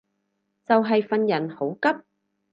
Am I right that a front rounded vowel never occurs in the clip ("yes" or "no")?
yes